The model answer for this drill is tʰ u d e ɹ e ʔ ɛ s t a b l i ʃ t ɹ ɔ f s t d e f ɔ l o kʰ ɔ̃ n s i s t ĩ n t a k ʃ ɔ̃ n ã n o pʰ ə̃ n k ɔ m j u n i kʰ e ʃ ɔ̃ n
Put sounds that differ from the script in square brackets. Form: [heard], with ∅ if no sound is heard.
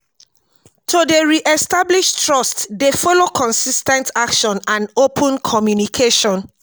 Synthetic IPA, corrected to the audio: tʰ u d e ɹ [i] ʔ ɛ s t a b l i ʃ t ɹ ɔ [∅] s t d e f ɔ l o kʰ ɔ̃ n s i s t [ɛ̃] n t a k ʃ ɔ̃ n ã n o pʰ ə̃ n [kʰ] ɔ m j u n i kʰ e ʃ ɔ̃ n